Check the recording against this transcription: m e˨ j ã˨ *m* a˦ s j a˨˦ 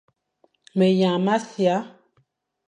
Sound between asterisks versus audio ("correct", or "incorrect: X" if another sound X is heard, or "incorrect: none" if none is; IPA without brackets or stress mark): correct